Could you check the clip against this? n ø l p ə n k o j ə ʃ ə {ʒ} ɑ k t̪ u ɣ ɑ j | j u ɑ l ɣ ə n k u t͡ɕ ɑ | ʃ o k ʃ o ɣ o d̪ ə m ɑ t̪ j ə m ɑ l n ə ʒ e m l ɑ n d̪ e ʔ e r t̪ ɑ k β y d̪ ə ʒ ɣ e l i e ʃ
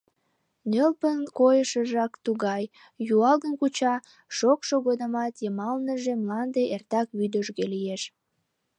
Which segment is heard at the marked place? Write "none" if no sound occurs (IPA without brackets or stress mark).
ʒ